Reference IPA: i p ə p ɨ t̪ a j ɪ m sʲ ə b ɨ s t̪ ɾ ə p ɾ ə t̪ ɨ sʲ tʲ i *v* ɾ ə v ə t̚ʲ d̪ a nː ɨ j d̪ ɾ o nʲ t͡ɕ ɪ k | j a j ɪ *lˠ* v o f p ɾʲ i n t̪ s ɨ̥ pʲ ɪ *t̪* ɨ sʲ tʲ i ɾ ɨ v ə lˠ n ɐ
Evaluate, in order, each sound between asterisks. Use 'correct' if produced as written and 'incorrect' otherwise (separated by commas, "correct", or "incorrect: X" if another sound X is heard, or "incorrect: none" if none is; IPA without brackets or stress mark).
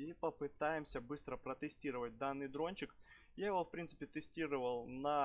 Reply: incorrect: none, incorrect: none, correct